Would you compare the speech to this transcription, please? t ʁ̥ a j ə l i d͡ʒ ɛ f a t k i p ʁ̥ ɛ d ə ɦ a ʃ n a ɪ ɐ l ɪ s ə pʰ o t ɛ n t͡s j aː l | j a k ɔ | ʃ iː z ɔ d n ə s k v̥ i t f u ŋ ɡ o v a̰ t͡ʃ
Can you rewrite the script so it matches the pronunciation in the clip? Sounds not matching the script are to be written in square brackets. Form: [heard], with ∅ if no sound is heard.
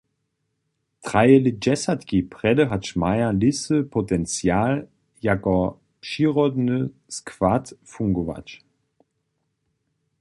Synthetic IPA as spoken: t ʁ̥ a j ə l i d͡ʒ ɛ [s] a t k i p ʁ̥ ɛ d ə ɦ a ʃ [m] a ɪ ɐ l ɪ s ə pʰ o t ɛ n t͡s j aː l | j a k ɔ | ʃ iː [ʁ] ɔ d n ə s k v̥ [a] t f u ŋ ɡ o v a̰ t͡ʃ